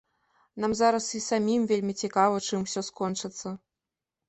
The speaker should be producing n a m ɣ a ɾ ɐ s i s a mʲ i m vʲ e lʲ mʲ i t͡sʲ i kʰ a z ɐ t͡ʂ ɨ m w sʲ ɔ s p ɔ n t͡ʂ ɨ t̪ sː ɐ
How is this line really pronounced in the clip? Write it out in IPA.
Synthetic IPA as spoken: n a m z a ɾ ɐ s i s a mʲ i m vʲ e lʲ mʲ i t͡sʲ i k a v ɐ t͡ʂ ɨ m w sʲ ɔ s k ɔ n t͡ʂ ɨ t̪ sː ɐ

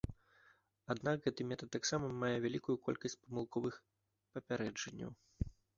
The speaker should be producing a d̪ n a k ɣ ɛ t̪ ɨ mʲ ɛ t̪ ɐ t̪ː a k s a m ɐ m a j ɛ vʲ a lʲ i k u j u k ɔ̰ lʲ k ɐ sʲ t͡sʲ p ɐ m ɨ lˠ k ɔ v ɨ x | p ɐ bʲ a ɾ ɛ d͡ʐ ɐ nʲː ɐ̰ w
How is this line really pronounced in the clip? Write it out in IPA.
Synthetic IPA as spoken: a d̪ n a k ɣ ɛ t̪ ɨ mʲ ɛ t̪ ɐ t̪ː a k s a m ɐ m a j ɛ vʲ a lʲ i k u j u k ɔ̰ lʲ k ɐ sʲ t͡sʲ p ɐ m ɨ lˠ k ɔ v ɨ x | p ɐ pʲ a ɾ ɛ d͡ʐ ɐ nʲː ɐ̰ w

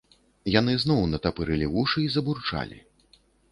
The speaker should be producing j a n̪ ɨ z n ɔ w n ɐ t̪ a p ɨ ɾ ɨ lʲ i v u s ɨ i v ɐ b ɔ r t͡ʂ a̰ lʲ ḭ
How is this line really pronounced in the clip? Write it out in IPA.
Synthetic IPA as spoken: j a n̪ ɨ z n ɔ w n ɐ t̪ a p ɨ ɾ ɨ lʲ i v u ʂ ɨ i z ɐ b u r t͡ʂ a̰ lʲ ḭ

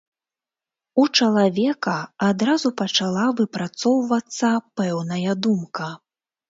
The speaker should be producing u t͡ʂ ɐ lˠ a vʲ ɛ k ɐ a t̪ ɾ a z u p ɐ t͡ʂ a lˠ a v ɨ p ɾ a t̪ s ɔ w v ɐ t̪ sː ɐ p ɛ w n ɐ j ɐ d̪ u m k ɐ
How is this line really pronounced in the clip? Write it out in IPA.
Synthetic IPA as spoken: u t͡ʂ ɐ lˠ a vʲ ɛ k ɐ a d̪ ɾ a z u p ɐ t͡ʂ a lˠ a v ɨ p ɾ a t̪ s ɔ w v ɐ t̪ sː ɐ p ɛ w n ɐ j ɐ d̪ u m k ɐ

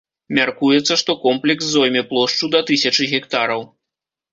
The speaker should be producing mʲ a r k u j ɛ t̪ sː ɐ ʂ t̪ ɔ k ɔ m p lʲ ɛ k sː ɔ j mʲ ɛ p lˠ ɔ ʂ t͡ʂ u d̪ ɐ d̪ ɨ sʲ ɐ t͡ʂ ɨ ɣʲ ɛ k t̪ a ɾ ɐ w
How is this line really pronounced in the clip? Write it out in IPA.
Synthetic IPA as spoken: mʲ a r k u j ɛ t̪ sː ɐ ʂ t̪ ɔ k ɔ m p lʲ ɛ k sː ɔ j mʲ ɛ p lˠ ɔ ʂ t͡ʂ u d̪ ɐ t̪ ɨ sʲ ɐ t͡ʂ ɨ ɣʲ ɛ k t̪ a ɾ ɐ w

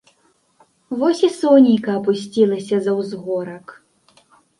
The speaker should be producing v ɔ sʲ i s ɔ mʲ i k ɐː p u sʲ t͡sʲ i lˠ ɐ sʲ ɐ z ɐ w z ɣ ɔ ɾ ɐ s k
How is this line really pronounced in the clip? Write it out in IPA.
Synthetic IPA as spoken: v ɔ sʲ i s ɔ nʲ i k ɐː p u sʲ t͡sʲ i lˠ ɐ sʲ ɐ z ɐ w z ɣ ɔ ɾ ɐ k

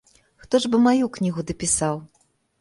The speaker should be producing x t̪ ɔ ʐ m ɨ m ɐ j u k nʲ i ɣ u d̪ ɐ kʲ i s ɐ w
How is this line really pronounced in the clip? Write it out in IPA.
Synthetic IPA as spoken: x t̪ ɔ ʐ b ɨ m a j u k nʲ i ɣ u d̪ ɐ pʲ i s a w

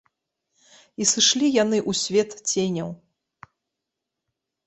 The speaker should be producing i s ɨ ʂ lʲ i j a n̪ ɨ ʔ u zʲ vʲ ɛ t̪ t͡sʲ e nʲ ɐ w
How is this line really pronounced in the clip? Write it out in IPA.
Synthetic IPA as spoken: i s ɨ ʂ lʲ i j a n̪ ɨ ʔ u sʲ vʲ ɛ t̪ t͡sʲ e nʲ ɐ w

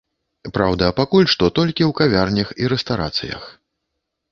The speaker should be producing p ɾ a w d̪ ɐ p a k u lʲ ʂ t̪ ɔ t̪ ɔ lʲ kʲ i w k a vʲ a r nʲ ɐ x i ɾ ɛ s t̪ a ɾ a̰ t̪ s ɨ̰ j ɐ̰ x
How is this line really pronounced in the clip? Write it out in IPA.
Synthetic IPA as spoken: p ɾ a w d̪ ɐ p a k u lʲ ʂ t̪ ɔ t̪ ɔ lʲ kʲ i w k a vʲ a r nʲ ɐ x i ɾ ɛ s t̪ a ɾ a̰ t̪ s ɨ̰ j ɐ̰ x

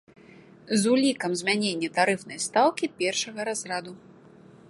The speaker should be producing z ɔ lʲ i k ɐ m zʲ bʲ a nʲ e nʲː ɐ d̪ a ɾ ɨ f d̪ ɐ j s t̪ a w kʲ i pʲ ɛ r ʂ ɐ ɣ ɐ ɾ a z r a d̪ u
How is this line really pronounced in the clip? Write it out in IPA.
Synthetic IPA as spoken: z u lʲ i k ɐ m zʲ mʲ a nʲ e nʲː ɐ t̪ a ɾ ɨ f n̪ ɐ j s t̪ a w kʲ i pʲ ɛ r ʂ ɐ ɣ ɐ ɾ a z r a d̪ u

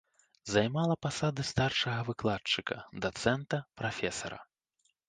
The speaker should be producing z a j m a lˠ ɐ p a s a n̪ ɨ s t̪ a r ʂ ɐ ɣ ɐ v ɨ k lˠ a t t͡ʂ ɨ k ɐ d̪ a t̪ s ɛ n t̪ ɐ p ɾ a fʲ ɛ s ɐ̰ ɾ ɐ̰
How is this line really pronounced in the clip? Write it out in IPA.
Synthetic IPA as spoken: z a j m a lˠ ɐ p a s a d̪ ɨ s t̪ a r ʂ ɐ ɣ ɐ v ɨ k lˠ a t t͡ʂ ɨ k ɐ d̪ a t̪ s ɛ n t̪ ɐ p ɾ a fʲ ɛ s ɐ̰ ɾ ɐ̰

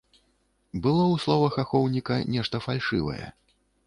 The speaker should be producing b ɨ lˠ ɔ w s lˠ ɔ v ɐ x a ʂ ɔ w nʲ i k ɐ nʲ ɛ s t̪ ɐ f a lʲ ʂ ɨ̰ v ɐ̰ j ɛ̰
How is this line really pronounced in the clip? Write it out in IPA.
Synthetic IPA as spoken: b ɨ lˠ ɔ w s lˠ ɔ v ɐ x a x ɔ w nʲ i k ɐ nʲ ɛ ʂ t̪ ɐ f a lʲ ʂ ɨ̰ v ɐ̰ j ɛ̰

